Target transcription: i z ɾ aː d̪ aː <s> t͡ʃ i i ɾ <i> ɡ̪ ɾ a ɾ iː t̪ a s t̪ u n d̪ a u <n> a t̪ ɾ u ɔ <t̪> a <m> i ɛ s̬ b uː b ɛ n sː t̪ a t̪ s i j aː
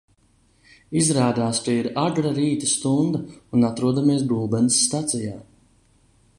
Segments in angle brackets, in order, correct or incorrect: correct, incorrect, correct, incorrect, correct

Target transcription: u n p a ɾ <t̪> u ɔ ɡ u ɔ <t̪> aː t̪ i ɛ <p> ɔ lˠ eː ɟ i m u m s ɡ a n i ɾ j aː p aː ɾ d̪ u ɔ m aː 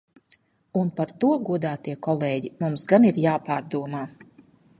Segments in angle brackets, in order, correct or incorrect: correct, incorrect, incorrect

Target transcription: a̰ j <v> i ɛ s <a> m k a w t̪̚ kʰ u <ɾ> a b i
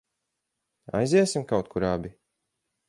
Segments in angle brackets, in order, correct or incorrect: incorrect, incorrect, correct

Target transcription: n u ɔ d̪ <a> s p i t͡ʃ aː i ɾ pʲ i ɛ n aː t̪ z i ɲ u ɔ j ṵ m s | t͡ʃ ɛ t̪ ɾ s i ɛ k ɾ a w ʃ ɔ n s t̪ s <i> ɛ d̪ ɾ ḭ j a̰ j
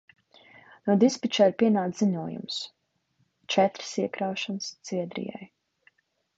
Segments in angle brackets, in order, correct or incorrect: incorrect, correct

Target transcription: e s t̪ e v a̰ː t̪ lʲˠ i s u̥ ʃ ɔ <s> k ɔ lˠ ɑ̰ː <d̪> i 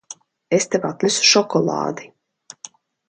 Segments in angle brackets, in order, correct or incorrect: incorrect, correct

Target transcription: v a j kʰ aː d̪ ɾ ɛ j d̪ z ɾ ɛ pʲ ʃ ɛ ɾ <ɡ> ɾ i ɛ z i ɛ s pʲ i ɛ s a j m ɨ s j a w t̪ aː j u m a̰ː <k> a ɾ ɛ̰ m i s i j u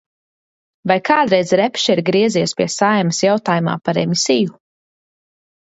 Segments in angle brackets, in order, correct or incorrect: correct, incorrect

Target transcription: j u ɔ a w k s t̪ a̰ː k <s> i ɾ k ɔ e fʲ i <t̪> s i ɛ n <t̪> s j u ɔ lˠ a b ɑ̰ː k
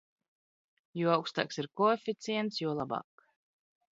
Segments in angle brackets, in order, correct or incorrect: correct, correct, correct

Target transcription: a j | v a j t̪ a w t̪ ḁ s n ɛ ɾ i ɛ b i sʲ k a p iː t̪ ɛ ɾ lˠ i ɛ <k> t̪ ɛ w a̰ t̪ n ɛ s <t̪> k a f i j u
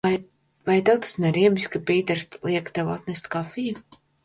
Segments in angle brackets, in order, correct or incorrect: correct, correct

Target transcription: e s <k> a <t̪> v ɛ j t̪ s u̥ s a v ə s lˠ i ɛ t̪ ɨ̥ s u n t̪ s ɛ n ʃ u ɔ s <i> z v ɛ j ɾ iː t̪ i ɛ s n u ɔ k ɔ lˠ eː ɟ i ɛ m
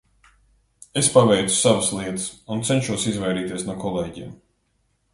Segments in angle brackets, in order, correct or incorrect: incorrect, incorrect, correct

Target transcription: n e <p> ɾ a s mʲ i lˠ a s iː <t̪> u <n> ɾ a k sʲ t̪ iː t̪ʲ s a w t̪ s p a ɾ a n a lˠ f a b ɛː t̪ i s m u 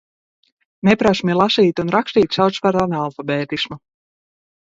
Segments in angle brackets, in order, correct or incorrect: correct, correct, correct

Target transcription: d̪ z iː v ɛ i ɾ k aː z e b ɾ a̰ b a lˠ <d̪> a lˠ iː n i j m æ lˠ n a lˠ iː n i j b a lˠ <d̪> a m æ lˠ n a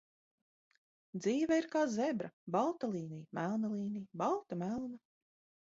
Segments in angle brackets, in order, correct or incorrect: incorrect, incorrect

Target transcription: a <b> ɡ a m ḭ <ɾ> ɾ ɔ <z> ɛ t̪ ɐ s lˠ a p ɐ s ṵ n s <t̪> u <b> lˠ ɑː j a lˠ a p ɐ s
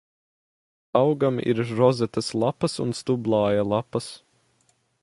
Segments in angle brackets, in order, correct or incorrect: incorrect, correct, correct, correct, correct

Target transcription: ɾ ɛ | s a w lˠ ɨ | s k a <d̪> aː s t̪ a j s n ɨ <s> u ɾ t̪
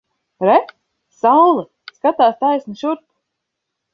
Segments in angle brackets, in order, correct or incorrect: incorrect, incorrect

